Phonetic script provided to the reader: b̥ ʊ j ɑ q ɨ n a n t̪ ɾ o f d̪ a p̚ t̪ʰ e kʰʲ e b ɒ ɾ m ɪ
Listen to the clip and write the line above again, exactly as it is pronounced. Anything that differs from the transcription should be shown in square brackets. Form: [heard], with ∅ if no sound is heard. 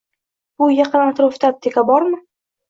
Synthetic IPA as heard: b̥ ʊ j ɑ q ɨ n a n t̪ ɾ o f [t̪] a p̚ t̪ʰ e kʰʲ [a] b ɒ ɾ m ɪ